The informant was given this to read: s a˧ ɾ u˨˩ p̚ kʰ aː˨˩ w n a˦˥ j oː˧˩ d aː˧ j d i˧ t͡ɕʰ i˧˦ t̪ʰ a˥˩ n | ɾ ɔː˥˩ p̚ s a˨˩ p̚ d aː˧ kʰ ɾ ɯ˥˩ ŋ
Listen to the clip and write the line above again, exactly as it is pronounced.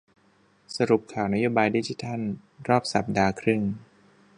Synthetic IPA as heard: s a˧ ɾ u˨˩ p̚ kʰ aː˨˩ w n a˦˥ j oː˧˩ b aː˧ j d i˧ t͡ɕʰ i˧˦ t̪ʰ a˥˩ n | ɾ ɔː˥˩ p̚ s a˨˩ p̚ d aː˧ kʰ ɾ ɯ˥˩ ŋ